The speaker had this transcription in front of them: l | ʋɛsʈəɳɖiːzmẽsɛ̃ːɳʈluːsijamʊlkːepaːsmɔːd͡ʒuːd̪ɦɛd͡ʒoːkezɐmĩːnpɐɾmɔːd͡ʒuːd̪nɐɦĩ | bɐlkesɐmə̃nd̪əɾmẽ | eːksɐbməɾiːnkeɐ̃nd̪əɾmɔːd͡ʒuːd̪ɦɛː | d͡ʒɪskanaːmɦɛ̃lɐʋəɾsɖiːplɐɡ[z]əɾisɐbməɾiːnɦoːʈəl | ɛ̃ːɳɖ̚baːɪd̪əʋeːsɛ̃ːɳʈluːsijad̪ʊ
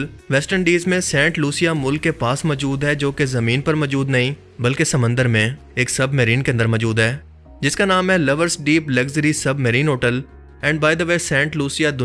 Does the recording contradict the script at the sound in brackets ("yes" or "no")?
no